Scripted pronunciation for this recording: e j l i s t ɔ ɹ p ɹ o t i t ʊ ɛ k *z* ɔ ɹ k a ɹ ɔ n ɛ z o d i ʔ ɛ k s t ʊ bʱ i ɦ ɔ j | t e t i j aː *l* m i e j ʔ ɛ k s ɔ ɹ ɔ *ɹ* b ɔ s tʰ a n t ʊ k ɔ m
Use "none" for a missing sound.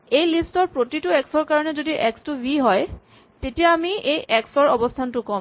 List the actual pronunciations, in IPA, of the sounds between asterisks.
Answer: s, none, none

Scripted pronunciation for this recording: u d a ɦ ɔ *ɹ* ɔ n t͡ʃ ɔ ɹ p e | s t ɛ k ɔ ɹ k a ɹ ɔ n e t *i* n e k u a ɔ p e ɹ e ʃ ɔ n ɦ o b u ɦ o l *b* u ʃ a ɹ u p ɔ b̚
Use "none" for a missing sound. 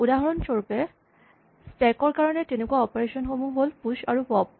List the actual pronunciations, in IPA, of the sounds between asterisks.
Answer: ɹ, e, p

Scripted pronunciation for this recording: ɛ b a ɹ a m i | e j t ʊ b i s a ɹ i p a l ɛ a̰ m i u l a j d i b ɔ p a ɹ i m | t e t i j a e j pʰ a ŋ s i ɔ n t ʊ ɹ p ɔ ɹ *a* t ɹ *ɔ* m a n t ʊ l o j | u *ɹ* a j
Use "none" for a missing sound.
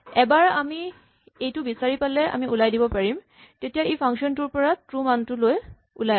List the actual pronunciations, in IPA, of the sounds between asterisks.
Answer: a, u, l

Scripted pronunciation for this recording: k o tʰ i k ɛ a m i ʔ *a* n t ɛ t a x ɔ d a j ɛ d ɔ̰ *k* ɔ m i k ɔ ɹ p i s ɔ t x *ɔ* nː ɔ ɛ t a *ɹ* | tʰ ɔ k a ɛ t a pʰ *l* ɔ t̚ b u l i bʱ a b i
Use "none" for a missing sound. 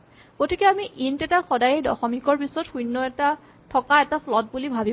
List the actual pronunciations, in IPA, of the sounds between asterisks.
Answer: i, x, u, none, l

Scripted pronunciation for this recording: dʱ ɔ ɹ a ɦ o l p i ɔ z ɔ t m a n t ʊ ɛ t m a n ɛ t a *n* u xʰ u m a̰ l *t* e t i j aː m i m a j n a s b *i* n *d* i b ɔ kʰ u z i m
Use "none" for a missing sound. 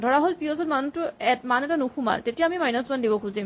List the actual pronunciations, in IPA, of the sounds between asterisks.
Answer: n, t, a, d

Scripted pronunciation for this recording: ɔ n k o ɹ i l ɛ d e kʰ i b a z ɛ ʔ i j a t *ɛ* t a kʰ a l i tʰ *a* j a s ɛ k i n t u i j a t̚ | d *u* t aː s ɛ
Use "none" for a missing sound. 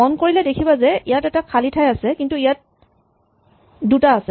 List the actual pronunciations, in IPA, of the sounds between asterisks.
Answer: ɛ, a, u

